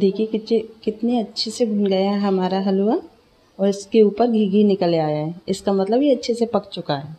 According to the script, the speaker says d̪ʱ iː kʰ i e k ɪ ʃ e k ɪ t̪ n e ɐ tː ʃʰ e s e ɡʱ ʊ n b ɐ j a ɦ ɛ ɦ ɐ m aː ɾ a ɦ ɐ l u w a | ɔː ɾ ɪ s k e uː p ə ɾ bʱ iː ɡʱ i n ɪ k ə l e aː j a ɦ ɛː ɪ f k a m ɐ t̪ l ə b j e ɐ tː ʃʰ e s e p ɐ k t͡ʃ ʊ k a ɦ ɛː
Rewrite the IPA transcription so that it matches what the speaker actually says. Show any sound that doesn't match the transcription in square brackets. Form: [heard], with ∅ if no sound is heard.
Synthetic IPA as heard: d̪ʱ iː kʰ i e k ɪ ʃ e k ɪ t̪ n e ɐ tː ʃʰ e s e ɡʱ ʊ n [ɡ] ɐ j a ɦ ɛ ɦ ɐ m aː ɾ a ɦ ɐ l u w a | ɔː ɾ ɪ s k e uː p ə ɾ [ɡʱ] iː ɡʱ i n ɪ k ə l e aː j a ɦ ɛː ɪ [s] k a m ɐ t̪ l ə b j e ɐ tː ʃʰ e s e p ɐ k t͡ʃ ʊ k a ɦ ɛː